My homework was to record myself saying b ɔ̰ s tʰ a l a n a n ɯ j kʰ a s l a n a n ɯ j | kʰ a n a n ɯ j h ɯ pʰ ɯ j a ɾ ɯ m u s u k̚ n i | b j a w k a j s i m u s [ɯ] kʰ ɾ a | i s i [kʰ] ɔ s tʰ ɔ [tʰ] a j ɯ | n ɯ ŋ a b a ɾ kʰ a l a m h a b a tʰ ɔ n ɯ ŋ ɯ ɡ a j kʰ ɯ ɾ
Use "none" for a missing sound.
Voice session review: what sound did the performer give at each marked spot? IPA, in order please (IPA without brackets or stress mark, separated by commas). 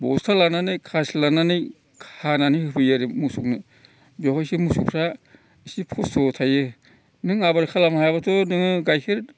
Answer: u, pʰ, tʰ